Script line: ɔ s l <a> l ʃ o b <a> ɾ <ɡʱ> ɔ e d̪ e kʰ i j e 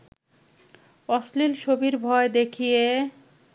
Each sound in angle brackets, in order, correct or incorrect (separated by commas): incorrect, incorrect, incorrect